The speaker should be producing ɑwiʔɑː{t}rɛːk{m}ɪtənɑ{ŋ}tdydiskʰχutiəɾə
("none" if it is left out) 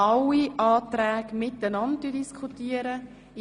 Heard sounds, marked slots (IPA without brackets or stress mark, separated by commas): t, m, n